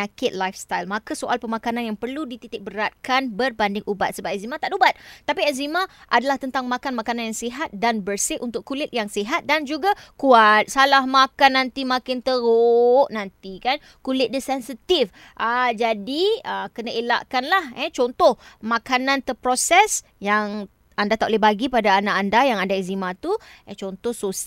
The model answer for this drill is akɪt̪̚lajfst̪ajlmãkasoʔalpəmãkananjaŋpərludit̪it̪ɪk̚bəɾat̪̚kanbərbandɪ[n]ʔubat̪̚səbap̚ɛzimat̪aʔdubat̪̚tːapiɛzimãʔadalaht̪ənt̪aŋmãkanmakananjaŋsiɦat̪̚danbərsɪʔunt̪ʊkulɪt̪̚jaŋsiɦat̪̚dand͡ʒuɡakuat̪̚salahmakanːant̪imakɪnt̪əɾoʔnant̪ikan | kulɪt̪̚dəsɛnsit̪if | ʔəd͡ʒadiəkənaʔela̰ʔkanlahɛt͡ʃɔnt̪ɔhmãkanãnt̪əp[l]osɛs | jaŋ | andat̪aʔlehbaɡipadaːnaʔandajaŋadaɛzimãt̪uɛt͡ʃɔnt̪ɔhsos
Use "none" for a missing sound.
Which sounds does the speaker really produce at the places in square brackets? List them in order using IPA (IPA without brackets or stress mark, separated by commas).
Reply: ŋ, ɾ